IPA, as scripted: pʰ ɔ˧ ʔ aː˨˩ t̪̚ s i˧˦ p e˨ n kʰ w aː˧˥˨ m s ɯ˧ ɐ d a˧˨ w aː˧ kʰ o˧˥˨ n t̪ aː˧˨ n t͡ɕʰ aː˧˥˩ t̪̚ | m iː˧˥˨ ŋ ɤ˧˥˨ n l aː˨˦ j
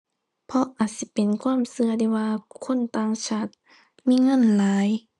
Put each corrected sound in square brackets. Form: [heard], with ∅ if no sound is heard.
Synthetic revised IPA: pʰ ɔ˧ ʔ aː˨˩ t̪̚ s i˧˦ p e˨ n kʰ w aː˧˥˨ m s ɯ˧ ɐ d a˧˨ w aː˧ kʰ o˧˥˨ n t̪ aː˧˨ [ŋ] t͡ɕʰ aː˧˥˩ t̪̚ | m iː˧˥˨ ŋ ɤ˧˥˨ n l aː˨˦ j